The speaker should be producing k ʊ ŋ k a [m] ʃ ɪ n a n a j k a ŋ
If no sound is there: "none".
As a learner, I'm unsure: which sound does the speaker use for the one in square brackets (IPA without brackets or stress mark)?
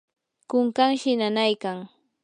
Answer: ŋ